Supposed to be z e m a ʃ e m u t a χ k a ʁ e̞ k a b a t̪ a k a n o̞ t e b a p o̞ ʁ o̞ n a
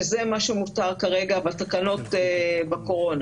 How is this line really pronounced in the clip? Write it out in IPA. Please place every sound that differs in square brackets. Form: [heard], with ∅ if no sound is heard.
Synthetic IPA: z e m a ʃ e m u t a [ʁ] k a ʁ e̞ [ɡ] a b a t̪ a k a n o̞ t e b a [k] o̞ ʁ o̞ n a